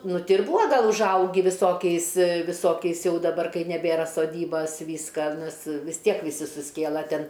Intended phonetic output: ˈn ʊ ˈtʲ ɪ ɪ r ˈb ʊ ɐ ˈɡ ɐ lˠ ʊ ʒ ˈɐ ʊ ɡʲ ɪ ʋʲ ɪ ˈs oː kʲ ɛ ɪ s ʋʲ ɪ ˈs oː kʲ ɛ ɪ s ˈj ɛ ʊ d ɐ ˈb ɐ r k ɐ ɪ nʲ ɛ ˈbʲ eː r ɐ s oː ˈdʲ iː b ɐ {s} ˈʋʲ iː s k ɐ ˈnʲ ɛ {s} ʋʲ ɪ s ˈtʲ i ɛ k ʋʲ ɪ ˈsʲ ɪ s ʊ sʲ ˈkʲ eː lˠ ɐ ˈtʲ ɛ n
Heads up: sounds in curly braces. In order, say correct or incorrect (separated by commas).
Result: correct, correct